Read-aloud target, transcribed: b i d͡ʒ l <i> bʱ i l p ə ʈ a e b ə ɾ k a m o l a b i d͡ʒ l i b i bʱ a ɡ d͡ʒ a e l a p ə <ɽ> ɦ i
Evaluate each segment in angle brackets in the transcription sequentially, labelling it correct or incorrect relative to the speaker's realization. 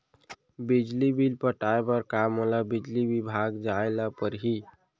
correct, incorrect

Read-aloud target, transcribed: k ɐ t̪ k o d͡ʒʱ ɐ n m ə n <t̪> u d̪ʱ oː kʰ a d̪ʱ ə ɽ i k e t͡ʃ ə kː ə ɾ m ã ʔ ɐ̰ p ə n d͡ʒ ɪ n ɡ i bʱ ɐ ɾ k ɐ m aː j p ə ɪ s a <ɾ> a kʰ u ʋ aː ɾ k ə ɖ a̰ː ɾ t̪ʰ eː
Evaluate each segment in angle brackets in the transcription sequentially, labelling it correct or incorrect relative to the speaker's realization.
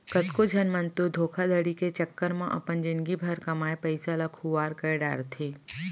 correct, incorrect

